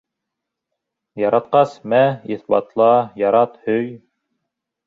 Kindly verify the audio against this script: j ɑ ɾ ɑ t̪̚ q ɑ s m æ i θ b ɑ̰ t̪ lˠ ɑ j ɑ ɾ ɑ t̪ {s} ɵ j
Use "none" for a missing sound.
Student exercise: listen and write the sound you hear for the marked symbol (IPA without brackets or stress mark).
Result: h